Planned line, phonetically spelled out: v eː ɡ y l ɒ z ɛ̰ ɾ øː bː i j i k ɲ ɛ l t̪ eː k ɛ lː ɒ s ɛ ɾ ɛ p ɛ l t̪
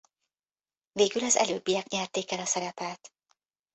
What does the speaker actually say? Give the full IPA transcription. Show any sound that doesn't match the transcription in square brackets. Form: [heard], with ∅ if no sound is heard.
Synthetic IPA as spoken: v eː ɡ y l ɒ z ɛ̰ [l] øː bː i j [ɛ] k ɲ ɛ [r] t̪ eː k ɛ [l] ɒ s ɛ ɾ ɛ p ɛ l t̪